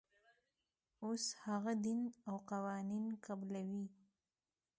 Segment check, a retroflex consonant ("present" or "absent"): absent